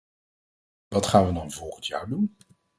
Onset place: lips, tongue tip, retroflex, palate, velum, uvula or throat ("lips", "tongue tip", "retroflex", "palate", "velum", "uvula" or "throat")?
lips